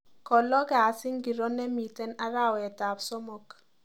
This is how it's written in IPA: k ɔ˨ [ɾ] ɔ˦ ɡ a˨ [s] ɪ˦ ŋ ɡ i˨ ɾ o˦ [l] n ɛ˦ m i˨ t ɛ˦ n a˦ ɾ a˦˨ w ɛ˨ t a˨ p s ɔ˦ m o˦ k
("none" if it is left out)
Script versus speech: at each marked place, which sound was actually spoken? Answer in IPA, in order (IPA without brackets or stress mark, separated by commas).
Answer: l, s, none